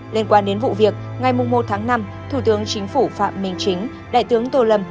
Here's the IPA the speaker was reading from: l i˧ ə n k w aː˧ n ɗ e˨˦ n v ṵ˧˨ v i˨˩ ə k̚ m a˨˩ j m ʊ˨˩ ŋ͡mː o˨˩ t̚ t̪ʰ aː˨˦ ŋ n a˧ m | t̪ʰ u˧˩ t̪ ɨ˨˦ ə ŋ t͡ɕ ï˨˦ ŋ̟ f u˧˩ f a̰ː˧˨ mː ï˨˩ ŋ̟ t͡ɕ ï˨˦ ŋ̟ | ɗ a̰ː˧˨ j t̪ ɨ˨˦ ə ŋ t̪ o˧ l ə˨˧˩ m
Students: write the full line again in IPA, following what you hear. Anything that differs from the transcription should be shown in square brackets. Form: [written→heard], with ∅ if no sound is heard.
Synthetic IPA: l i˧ ə n k w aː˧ n ɗ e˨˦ n v ṵ˧˨ v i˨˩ ə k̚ [m→ŋ] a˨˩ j m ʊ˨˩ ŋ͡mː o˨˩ t̚ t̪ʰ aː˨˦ ŋ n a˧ m | t̪ʰ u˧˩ t̪ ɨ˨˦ ə ŋ t͡ɕ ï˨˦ ŋ̟ f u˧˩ f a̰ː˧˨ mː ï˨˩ ŋ̟ t͡ɕ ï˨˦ ŋ̟ | ɗ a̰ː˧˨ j t̪ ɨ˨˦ ə ŋ t̪ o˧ l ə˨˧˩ m